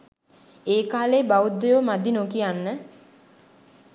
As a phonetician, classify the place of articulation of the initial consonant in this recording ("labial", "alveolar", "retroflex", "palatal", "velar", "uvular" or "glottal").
velar